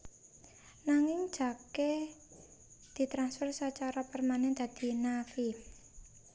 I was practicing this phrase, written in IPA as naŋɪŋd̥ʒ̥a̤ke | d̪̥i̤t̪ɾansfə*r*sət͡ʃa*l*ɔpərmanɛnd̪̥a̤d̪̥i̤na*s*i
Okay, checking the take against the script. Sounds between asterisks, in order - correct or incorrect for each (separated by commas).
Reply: correct, incorrect, incorrect